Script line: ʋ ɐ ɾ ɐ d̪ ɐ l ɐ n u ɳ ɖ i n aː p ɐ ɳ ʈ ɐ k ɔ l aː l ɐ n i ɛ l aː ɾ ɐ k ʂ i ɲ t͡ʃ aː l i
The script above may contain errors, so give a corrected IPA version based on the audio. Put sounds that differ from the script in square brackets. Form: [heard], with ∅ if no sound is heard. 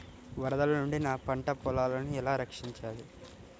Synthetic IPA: ʋ ɐ ɾ ɐ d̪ ɐ l ɐ n u ɳ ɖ i n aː p ɐ ɳ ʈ ɐ [p] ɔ l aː l ɐ n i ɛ l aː ɾ ɐ k ʂ i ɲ t͡ʃ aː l i